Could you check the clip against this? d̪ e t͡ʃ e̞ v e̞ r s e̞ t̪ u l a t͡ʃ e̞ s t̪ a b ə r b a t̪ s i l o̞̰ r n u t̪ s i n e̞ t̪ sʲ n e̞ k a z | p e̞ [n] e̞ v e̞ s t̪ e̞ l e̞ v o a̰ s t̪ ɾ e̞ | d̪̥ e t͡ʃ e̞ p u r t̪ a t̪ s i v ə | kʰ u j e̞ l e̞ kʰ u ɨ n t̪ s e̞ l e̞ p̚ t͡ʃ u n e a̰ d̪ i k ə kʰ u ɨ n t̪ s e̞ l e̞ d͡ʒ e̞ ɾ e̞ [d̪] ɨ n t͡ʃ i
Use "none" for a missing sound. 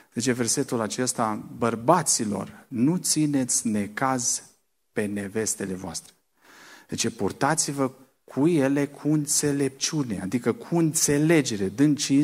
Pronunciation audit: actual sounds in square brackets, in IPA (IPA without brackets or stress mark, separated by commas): n, d̪